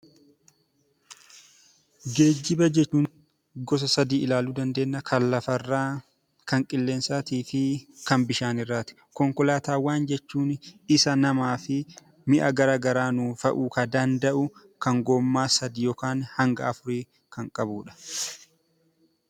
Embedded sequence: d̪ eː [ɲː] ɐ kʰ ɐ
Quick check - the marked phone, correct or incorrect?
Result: incorrect: nː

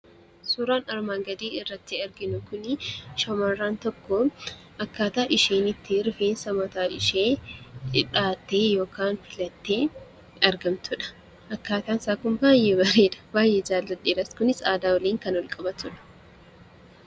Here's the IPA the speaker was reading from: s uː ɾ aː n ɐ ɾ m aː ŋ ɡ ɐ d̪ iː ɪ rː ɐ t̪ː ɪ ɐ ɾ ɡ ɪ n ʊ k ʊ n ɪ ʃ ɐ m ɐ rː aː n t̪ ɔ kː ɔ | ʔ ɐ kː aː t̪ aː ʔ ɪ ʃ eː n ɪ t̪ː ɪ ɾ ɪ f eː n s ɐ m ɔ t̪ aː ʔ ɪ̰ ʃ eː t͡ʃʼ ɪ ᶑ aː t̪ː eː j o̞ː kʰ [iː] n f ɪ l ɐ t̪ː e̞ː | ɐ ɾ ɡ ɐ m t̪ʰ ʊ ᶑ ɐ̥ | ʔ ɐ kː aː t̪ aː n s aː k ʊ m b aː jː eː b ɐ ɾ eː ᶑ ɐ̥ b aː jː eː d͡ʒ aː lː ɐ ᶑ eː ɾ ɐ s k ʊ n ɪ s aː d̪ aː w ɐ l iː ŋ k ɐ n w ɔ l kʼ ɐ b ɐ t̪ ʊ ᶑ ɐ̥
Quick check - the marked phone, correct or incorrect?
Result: incorrect: aː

